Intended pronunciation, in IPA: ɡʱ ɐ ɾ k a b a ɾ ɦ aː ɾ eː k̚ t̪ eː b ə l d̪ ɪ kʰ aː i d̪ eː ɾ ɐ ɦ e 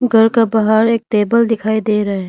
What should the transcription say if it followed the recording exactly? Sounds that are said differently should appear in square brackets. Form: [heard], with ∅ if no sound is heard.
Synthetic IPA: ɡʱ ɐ ɾ k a b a [∅] ɦ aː ɾ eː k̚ t̪ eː b ə l d̪ ɪ kʰ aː i d̪ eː ɾ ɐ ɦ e

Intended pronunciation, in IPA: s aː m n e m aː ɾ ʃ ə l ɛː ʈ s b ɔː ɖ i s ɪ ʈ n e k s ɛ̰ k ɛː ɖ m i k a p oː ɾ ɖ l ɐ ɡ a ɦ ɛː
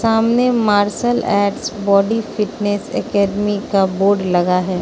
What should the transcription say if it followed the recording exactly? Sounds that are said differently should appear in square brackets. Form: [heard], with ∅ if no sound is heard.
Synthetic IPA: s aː m n e m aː ɾ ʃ ə l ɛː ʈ s b ɔː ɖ i [f] ɪ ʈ n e [∅] s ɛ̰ k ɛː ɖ m i k a [b] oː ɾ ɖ l ɐ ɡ a ɦ ɛː

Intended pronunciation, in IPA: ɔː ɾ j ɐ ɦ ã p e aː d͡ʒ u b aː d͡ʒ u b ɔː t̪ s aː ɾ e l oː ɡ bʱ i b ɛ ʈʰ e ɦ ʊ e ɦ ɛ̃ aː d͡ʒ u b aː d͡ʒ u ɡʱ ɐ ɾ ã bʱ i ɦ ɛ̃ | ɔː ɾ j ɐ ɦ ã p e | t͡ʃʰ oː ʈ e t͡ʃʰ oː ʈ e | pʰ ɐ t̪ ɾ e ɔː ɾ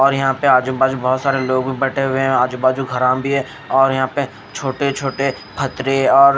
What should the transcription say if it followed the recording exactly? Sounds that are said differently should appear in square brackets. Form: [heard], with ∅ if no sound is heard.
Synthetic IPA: ɔː ɾ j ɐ ɦ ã p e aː d͡ʒ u b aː d͡ʒ u b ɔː t̪ s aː ɾ e l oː ɡ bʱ i b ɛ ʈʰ e ɦ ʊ e ɦ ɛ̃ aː d͡ʒ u b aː d͡ʒ u ɡʱ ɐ ɾ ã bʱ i ɦ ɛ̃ | ɔː ɾ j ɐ ɦ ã p e | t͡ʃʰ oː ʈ e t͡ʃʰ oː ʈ e | pʰ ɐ t̪ ɾ e ɔː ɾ

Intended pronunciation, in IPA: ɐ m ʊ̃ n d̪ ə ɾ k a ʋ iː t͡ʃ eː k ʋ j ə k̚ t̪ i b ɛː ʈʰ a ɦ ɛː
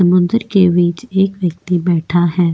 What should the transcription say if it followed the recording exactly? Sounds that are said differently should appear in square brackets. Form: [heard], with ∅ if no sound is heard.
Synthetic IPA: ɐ m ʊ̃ n d̪ ə ɾ k [e] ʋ iː t͡ʃ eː k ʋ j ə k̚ t̪ i b ɛː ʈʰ a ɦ ɛː

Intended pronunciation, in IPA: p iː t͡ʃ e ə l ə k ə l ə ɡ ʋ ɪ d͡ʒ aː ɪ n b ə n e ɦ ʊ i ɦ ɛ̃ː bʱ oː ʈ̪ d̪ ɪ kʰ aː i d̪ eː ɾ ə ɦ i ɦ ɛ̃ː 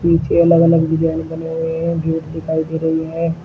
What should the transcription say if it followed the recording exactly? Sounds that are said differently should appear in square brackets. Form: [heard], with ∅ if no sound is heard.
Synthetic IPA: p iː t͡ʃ e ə l ə [ɡ] ə l ə ɡ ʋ ɪ d͡ʒ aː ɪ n b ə n e ɦ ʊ [e] ɦ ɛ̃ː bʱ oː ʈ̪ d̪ ɪ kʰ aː i d̪ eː ɾ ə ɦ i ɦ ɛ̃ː

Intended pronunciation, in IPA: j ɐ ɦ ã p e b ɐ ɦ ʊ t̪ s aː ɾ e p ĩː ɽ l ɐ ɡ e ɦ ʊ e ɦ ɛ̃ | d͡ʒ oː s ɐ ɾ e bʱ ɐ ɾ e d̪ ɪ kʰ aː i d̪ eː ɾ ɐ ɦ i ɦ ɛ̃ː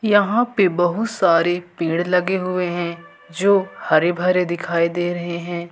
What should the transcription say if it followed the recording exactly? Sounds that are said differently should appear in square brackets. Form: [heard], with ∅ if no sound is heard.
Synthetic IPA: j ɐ ɦ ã p e b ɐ ɦ ʊ t̪ s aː ɾ e p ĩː ɽ l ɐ ɡ e ɦ ʊ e ɦ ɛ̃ | d͡ʒ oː [h] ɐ ɾ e bʱ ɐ ɾ e d̪ ɪ kʰ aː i d̪ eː ɾ ɐ ɦ [e] ɦ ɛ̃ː

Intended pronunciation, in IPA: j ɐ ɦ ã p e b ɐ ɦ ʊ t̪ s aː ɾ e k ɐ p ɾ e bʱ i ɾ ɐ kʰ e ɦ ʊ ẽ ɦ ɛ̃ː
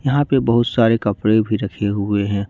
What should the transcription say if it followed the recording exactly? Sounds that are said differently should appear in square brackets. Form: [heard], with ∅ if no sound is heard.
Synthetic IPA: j ɐ ɦ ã p e b ɐ ɦ ʊ t̪ s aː ɾ e k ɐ p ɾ e bʱ i ɾ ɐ kʰ e ɦ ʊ [e] ɦ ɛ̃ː

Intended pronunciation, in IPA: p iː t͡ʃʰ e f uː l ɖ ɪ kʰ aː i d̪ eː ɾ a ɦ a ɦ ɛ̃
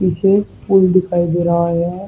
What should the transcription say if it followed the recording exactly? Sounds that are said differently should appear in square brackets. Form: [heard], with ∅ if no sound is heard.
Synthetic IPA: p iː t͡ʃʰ e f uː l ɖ ɪ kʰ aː i d̪ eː ɾ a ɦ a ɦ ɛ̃

